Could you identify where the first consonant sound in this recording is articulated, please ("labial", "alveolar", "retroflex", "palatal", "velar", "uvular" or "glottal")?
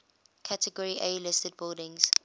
velar